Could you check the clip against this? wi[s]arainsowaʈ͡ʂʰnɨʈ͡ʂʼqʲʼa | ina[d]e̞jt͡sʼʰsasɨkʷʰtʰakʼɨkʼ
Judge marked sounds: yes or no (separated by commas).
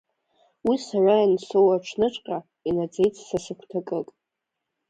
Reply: yes, no